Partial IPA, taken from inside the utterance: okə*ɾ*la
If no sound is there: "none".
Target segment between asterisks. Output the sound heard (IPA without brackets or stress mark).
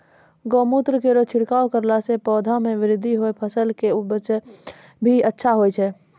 ɾ